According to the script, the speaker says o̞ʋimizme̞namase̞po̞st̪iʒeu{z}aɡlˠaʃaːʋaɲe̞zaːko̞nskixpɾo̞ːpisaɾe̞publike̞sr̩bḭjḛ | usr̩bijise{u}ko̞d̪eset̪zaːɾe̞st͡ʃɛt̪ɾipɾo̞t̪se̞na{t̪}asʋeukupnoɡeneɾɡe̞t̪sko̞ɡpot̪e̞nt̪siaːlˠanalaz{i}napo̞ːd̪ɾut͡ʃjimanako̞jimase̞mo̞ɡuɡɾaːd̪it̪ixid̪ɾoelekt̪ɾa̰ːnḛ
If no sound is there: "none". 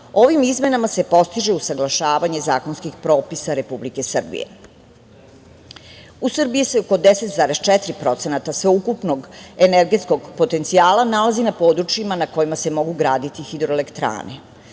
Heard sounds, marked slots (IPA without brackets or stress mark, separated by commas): s, o, t̪, i